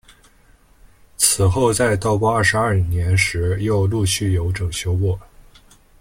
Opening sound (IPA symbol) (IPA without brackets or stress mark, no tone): t͡sʰ